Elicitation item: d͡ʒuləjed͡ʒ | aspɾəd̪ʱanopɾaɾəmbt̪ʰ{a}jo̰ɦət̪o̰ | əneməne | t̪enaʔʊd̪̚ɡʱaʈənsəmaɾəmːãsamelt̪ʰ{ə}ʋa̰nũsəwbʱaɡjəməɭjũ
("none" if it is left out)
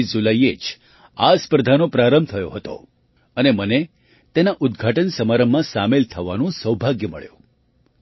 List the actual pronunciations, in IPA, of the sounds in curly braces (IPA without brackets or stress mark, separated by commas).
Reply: ə, ə